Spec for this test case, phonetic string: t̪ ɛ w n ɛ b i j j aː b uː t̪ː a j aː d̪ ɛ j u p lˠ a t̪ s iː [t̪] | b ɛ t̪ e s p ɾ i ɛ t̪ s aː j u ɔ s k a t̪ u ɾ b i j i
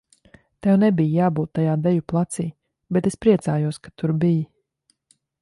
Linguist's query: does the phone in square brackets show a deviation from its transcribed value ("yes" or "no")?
yes